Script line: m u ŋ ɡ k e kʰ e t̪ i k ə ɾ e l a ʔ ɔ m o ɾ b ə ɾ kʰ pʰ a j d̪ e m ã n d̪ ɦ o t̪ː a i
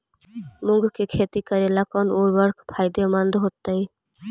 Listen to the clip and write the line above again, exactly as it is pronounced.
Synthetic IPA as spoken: m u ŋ ɡ k e kʰ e t̪ i k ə ɾ e l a k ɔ n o ɾ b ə ɾ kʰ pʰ a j d̪ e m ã n d̪ ɦ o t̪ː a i